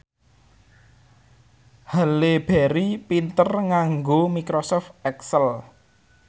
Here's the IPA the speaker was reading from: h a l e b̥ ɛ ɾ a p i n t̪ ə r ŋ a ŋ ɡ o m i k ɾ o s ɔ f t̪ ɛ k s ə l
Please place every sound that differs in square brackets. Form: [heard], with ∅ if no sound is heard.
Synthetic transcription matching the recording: h a l e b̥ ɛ ɾ [i] p i n t̪ ə r ŋ a ŋ ɡ o m i k ɾ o s ɔ f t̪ ɛ k s ə l